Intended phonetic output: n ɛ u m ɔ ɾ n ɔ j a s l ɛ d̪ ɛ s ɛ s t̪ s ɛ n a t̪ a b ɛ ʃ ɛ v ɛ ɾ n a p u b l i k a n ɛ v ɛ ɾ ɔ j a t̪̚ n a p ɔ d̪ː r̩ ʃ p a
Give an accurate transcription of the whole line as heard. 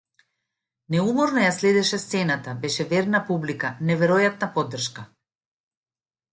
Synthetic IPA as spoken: n ɛ u m ɔ ɾ n ɔ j a s l ɛ d̪ ɛ ʃ ɛ s t̪ s ɛ n a t̪ a b ɛ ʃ ɛ v ɛ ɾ n a p u b l i k a n ɛ v ɛ ɾ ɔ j a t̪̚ n a p ɔ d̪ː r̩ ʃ k a